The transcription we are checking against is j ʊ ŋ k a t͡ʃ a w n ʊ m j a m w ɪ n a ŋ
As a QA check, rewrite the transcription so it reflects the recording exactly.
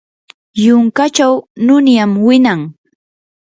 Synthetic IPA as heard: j ʊ ŋ k a t͡ʃ a w n ʊ n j a m w ɪ n a ŋ